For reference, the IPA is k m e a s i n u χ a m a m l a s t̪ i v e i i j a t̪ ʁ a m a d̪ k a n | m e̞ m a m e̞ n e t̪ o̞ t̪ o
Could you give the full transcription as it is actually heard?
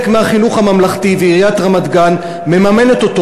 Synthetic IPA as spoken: k m e a χ i n u χ a m a m l a χ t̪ i v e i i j a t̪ ʁ a m a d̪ ɡ a n | m e̞ m a m e̞ n e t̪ o̞ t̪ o